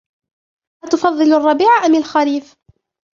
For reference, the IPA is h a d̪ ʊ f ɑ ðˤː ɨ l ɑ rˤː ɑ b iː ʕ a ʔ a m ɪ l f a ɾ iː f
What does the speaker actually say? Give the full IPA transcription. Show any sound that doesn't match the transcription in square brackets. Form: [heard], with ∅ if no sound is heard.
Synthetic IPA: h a [t̪] ʊ f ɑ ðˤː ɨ l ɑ rˤː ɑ b iː ʕ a ʔ a m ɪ l [x] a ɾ iː f